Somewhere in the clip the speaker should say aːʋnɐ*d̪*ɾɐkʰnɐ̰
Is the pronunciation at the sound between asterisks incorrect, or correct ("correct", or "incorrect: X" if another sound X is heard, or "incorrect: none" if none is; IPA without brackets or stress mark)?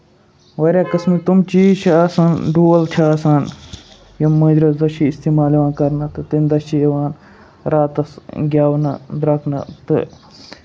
correct